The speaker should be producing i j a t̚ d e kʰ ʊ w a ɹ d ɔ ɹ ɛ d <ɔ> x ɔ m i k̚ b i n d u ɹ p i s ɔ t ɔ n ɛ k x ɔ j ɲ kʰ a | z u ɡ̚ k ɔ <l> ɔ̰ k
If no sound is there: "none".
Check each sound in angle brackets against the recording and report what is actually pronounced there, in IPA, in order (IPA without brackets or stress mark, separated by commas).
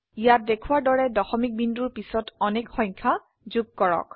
ɔ, ɹ